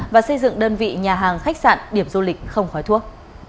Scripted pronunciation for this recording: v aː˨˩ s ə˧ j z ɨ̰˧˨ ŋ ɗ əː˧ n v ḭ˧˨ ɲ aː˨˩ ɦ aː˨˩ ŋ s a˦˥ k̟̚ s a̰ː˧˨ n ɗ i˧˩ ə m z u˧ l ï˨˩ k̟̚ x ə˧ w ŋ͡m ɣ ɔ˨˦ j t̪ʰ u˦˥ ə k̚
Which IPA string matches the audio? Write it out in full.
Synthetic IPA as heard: v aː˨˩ s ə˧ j z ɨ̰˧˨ ŋ ɗ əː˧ n v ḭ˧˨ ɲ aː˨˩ ɦ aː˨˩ ŋ x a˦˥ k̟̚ s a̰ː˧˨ n ɗ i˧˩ ə m z u˧ l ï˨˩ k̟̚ x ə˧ w ŋ͡m x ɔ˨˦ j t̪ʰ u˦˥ ə k̚